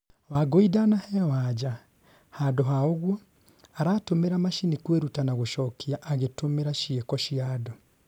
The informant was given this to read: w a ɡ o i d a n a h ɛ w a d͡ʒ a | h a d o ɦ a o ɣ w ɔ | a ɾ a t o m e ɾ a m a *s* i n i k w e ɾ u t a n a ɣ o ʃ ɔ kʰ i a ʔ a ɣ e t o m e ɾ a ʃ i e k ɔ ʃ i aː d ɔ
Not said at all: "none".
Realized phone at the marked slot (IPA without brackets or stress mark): ʃ